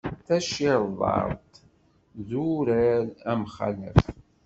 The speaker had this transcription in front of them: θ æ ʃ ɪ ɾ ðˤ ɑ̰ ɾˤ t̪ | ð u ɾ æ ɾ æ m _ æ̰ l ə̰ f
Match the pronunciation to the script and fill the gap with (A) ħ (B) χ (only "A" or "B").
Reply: B